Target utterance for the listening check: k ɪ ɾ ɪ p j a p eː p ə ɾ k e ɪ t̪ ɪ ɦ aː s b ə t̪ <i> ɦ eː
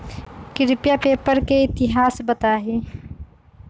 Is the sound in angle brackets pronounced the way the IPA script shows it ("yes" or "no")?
no